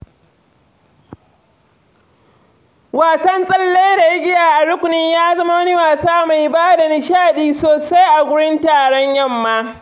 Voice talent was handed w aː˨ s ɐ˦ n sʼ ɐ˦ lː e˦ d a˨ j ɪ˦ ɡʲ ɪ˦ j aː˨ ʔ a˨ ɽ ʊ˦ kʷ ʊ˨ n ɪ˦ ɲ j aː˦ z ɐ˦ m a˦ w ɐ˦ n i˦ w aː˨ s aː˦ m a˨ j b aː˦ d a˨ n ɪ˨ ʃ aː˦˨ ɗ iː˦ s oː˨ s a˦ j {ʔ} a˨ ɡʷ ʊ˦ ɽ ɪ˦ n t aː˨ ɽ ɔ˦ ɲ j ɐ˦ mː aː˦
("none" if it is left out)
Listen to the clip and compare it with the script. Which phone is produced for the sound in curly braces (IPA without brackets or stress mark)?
ʔ